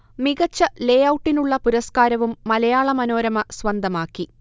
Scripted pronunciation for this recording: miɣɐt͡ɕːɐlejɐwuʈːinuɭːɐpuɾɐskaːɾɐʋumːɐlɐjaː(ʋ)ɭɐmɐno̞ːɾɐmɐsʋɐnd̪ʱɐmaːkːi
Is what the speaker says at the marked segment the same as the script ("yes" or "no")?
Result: no